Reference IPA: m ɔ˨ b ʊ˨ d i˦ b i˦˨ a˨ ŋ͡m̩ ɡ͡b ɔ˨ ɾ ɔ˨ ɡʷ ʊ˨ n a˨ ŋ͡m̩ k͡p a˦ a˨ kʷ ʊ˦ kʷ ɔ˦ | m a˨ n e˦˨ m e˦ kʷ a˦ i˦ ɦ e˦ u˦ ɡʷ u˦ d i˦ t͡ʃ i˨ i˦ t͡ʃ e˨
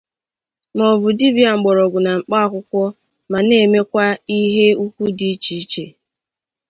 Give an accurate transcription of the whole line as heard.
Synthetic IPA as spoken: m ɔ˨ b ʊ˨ d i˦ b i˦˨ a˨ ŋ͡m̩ ɡ͡b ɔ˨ ɾ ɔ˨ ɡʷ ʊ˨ n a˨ ŋ͡m̩ k͡p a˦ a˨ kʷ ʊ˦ kʷ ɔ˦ | m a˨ n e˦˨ m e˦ kʷ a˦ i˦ ɦ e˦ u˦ kʷ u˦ d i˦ t͡ʃ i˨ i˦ t͡ʃ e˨